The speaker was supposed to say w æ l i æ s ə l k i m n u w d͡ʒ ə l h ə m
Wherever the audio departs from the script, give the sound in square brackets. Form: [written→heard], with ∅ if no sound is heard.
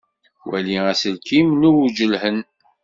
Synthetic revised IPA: w æ l i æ s ə l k i m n u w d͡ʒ ə l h ə [m→n]